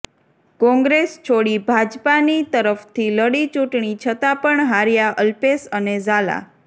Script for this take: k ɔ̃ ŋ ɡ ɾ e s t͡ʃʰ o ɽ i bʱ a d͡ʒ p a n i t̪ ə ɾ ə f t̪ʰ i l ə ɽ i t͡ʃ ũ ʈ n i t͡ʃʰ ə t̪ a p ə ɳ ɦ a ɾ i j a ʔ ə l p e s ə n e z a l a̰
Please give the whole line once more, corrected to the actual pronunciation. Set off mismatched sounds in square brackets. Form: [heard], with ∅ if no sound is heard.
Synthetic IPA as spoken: k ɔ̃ ŋ ɡ ɾ e s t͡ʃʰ o ɽ i bʱ a d͡ʒ p a n i t̪ ə ɾ ə f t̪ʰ i l ə ɽ i t͡ʃ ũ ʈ [ɳ] i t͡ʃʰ ə t̪ a p ə ɳ ɦ a ɾ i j a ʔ ə l p e s ə n e z a l a̰